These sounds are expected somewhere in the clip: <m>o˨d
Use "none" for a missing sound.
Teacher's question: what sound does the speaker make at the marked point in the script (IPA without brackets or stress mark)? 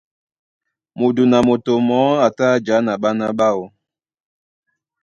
m